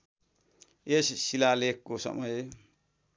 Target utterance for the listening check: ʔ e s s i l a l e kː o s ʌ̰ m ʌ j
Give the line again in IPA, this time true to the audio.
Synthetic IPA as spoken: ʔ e s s i l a l e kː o s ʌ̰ m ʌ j